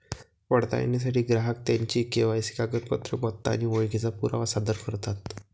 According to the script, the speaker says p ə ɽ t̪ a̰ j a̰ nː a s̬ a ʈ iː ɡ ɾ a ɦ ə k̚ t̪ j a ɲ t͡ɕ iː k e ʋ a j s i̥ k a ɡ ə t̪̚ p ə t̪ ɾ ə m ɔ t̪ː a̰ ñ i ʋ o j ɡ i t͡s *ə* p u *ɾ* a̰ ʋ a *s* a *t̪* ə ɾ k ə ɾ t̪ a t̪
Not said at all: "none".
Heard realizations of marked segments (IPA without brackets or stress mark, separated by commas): a, ɾ, s, d̪